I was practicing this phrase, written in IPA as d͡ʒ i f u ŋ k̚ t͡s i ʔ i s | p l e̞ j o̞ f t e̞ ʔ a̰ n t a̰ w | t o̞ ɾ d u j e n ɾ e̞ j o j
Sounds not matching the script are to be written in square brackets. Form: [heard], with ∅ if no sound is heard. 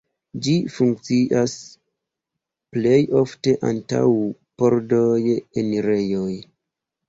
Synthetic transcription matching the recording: d͡ʒ i f u ŋ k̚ t͡s i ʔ [a] s | p l e̞ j o̞ f t e̞ ʔ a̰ n t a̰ w | [p] o̞ ɾ d [o] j e n ɾ e̞ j o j